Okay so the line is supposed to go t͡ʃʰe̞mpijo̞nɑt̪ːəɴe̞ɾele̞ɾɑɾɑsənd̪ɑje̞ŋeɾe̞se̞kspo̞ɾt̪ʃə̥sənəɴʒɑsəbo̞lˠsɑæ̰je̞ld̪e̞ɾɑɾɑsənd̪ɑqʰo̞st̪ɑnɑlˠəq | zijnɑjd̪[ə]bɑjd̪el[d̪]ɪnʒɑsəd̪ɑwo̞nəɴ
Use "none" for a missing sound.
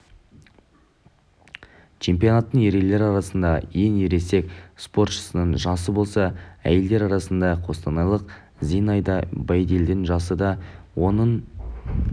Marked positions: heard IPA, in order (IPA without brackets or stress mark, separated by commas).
ɑ, d̪